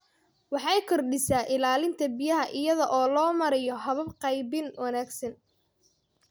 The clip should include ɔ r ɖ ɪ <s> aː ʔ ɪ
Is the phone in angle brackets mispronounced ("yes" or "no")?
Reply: no